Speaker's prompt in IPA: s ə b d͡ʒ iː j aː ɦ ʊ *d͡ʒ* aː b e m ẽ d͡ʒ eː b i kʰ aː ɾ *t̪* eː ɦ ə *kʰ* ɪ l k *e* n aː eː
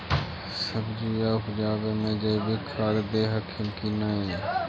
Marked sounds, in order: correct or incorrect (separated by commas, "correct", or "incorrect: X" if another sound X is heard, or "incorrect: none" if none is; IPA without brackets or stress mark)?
correct, incorrect: d̪, correct, incorrect: i